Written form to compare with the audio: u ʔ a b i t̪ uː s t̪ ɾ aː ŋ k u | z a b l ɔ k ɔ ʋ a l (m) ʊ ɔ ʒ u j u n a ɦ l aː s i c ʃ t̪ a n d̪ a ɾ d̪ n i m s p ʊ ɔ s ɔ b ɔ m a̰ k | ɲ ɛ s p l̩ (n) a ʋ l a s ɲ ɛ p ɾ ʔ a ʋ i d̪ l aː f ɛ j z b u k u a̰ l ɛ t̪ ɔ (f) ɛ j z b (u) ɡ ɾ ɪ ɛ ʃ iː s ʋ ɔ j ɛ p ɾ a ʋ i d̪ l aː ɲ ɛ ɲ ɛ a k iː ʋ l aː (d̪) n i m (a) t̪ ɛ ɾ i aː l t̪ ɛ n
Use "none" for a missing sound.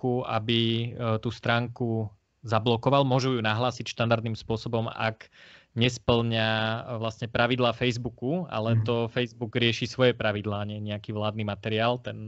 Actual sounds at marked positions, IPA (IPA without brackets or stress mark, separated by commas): m, ɲ, f, u, d̪, a